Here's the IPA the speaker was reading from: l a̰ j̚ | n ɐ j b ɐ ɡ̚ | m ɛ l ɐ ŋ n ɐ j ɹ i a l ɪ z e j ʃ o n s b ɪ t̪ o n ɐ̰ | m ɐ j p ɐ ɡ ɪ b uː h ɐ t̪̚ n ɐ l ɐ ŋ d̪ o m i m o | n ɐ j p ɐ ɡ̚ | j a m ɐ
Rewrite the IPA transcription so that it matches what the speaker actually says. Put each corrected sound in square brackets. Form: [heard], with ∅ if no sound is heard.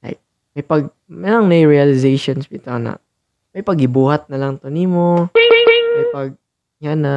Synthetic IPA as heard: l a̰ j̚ | [m] ɐ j [p] ɐ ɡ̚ | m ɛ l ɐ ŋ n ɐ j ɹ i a l ɪ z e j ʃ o n s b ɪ t̪ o n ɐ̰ | m ɐ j p ɐ ɡ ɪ b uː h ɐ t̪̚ n ɐ l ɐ ŋ [t̪] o [n] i m o | [m] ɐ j p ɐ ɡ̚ | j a [n] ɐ